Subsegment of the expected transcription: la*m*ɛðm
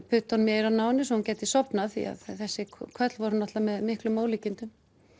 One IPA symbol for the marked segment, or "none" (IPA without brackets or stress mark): m